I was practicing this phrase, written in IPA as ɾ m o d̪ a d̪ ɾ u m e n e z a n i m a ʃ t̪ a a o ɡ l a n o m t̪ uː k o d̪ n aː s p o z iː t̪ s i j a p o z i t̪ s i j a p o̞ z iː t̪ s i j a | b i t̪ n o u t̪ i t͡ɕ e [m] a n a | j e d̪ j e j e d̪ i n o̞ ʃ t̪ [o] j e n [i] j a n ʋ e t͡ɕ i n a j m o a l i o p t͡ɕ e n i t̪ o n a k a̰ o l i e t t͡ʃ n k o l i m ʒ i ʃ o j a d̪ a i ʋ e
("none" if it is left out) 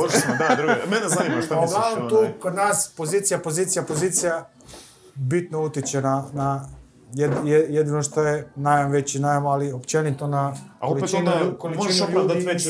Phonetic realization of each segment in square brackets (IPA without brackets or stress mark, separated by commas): n, o, a